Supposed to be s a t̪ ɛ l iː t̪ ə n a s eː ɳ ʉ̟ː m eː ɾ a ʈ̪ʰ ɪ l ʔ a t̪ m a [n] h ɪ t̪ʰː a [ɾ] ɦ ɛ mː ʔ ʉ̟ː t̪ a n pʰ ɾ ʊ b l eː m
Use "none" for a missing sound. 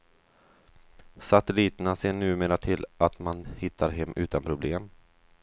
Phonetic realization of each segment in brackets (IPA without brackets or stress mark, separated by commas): n, ɾ